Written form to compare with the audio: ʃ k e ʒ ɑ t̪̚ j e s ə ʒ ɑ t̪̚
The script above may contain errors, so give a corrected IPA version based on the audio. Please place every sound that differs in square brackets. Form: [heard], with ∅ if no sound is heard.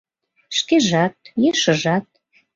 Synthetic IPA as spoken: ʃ k e ʒ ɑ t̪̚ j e [ʃ] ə ʒ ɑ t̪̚